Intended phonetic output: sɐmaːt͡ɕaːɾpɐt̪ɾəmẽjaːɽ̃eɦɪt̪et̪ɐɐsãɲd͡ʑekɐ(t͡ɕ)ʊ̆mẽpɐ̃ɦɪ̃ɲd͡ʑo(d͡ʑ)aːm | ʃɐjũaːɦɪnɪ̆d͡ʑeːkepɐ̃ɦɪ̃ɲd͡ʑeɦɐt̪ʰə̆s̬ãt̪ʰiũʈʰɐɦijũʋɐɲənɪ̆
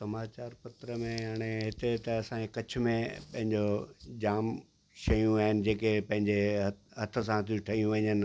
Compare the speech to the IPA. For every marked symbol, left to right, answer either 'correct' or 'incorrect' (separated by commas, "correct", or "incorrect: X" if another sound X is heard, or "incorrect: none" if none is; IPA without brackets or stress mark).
incorrect: t͡ɕʰ, correct